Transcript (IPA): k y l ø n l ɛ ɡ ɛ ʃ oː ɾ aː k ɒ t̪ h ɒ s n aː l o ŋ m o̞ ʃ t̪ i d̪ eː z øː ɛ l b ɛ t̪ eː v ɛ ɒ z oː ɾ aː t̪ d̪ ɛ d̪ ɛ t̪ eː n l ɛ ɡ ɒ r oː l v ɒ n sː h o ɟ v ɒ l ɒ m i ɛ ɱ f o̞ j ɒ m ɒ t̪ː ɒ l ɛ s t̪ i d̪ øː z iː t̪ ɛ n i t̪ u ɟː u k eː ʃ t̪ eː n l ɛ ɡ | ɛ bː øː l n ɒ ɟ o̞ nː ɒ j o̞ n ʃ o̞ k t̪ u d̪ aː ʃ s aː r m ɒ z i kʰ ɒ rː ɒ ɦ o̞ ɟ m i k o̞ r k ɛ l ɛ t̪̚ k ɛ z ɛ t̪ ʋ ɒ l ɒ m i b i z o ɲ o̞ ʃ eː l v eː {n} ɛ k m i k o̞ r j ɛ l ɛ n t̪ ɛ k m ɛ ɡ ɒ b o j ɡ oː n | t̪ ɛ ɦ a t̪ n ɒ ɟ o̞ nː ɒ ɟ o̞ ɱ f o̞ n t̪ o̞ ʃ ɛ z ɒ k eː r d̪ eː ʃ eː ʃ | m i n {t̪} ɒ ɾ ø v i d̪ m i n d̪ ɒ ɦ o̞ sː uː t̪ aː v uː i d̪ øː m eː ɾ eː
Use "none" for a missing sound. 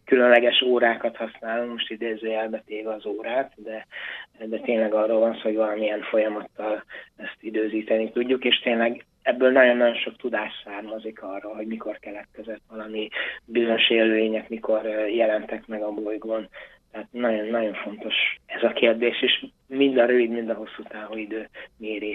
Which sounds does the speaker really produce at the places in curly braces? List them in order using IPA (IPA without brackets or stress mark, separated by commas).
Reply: ɲ, d̪